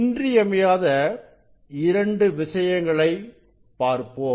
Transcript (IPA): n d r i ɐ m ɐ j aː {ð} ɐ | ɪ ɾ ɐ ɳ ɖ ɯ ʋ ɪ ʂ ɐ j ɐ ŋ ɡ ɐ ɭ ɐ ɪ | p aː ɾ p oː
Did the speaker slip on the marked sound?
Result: no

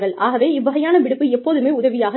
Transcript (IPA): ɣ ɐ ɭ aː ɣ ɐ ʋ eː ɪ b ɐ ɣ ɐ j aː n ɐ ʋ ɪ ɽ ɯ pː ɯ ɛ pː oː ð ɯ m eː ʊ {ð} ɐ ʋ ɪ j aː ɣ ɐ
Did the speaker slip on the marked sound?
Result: no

